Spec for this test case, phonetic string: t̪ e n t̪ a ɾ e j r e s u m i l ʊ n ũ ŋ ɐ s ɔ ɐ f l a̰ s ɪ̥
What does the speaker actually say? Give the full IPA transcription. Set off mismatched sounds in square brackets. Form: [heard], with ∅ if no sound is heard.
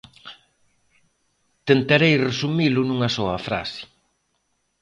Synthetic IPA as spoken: t̪ e n t̪ a ɾ e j r e s u m i l ʊ n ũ ŋ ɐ s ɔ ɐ f [ɾ] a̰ s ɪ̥